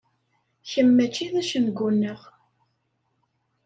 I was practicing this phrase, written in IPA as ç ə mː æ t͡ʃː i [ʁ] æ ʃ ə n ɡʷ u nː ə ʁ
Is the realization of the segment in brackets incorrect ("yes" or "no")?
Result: yes